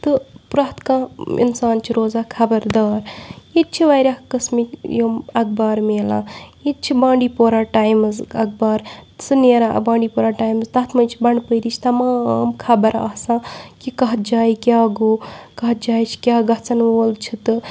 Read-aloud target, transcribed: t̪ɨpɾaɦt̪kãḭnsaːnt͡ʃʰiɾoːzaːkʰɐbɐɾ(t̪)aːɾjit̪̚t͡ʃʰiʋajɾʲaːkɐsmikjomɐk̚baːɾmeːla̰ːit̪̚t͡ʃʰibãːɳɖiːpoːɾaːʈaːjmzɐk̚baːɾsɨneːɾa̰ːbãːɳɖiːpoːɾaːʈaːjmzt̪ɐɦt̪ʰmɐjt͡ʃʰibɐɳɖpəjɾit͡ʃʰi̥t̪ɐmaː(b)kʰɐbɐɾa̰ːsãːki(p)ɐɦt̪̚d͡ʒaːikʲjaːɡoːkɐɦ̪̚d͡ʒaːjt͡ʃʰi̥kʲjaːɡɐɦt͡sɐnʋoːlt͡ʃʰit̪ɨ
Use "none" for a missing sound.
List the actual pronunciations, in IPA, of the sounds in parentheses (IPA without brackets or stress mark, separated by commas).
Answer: d̪, m, k